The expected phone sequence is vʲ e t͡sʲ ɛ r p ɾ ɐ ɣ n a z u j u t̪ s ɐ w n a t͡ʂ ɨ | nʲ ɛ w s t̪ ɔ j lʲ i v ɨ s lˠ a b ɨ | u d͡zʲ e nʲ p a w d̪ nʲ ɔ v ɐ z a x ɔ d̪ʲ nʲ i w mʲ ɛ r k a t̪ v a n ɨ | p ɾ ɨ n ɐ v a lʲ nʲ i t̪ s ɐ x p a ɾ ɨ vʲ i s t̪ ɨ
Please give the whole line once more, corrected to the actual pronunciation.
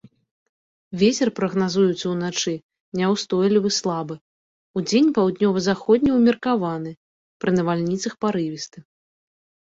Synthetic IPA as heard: vʲ e t͡sʲ ɛ r p ɾ ɐ ɣ n a z u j u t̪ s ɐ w n a t͡ʂ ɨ | nʲ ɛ w s t̪ ɔ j lʲ i v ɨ s lˠ a b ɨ | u d͡zʲ e nʲ p a w d̪ nʲ ɔ v ɐ z a x ɔ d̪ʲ nʲ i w mʲ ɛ r k a v a n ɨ | p ɾ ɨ n ɐ v a lʲ nʲ i t̪ s ɐ x p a ɾ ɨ vʲ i s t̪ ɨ